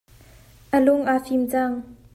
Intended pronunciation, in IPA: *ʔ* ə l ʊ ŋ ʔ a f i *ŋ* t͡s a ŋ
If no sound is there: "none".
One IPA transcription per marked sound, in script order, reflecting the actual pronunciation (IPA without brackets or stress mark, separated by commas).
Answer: ʔ, m